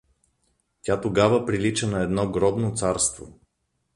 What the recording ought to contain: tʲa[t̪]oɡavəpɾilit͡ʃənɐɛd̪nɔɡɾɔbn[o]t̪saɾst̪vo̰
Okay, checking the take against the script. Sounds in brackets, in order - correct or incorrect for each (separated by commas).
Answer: correct, correct